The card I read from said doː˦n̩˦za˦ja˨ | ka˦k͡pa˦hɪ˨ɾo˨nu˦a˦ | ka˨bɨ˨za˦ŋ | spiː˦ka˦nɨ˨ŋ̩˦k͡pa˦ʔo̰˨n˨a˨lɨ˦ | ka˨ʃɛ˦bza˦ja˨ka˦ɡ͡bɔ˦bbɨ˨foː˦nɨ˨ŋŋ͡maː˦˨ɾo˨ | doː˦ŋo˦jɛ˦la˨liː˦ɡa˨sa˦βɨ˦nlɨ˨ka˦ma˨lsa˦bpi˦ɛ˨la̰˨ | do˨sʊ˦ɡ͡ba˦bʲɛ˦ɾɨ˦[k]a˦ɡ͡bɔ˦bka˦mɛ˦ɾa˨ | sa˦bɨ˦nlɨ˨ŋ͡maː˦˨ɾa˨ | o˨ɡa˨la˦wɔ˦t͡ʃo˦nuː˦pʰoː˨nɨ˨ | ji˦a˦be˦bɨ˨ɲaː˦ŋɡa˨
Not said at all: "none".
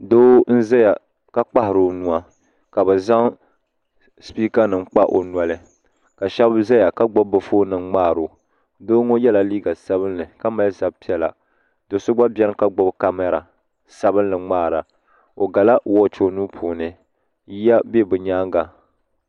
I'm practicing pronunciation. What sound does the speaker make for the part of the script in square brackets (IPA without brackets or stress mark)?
k